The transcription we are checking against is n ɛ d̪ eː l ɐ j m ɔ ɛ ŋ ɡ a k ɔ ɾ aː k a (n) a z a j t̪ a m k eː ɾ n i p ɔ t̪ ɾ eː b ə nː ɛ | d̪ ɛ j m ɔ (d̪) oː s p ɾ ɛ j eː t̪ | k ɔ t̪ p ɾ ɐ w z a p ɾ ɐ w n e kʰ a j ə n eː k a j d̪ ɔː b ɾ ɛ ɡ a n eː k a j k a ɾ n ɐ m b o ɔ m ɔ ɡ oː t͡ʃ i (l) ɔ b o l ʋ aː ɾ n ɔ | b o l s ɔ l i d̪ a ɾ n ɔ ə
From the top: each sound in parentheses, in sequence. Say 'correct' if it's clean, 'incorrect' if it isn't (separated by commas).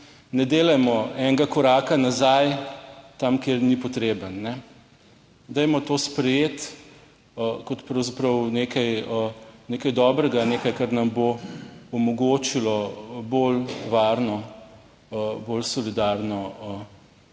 correct, incorrect, correct